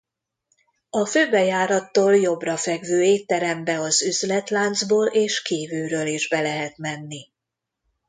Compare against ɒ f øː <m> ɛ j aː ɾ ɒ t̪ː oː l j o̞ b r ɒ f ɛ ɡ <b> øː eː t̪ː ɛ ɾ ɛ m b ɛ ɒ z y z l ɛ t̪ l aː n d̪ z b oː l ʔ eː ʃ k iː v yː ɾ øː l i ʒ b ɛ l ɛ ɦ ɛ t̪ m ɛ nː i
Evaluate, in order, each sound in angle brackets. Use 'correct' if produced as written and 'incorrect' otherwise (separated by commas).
incorrect, incorrect